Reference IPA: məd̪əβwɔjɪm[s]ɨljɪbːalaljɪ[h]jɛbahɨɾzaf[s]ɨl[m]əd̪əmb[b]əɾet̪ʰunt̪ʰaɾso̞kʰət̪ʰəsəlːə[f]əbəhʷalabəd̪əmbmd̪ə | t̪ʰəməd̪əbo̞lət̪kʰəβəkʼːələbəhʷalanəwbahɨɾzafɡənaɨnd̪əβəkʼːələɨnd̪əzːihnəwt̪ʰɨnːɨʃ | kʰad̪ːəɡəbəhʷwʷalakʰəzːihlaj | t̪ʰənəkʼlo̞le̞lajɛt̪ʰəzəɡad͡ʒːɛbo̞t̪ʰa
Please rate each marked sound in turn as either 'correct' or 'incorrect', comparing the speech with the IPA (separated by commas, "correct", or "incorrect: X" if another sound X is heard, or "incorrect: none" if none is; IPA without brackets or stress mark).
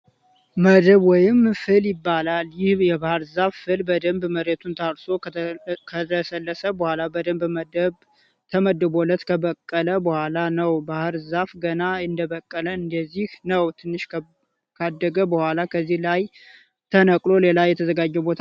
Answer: incorrect: f, correct, incorrect: f, incorrect: b, incorrect: m, incorrect: s